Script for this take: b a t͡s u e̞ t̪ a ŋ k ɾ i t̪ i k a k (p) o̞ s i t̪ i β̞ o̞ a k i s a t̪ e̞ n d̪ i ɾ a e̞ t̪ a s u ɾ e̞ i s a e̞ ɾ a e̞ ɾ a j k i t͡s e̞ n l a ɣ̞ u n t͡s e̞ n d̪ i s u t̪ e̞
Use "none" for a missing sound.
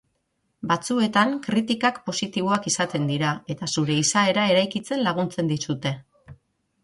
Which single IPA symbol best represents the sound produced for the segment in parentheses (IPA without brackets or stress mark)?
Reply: p